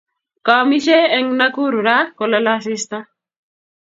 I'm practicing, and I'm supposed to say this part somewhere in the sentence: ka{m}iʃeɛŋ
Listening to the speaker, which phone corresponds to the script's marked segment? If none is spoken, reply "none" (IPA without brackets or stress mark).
m